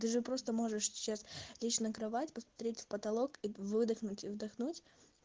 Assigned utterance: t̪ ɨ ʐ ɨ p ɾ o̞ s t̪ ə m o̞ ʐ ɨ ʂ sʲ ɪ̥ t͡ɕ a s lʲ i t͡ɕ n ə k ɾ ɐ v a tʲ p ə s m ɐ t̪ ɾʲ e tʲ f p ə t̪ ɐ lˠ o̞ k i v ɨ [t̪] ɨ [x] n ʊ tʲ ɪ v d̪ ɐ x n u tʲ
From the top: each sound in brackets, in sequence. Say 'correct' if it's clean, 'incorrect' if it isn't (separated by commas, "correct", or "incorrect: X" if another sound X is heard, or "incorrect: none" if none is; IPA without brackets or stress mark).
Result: incorrect: d̪, correct